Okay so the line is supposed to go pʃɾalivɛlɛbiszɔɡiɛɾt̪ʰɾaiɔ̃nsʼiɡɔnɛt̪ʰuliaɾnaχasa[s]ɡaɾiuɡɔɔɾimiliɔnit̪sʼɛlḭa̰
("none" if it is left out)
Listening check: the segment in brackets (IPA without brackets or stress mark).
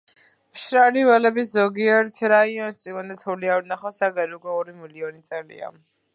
none